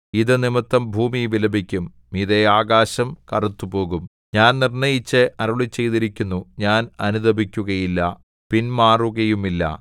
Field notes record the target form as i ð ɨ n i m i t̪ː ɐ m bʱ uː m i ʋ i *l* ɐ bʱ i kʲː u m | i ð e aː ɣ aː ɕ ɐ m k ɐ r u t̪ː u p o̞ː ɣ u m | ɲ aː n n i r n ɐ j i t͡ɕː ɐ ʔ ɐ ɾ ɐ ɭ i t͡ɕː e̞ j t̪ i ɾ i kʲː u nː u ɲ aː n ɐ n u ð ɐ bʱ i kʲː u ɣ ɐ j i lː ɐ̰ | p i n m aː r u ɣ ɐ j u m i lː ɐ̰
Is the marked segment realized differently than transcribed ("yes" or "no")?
no